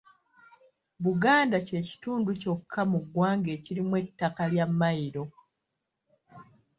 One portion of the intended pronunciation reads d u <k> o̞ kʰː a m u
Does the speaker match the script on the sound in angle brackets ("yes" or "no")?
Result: no